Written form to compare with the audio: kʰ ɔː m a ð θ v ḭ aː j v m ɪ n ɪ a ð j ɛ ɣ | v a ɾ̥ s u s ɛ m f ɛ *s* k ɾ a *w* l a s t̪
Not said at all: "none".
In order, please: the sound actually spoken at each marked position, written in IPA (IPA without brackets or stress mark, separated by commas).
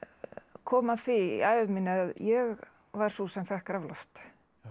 h, v